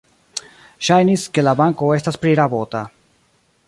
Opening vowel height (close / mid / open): open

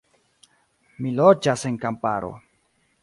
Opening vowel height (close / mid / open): close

